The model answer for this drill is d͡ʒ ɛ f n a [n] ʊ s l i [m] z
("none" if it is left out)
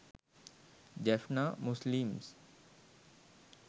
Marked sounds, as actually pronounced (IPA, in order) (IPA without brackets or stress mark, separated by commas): m, m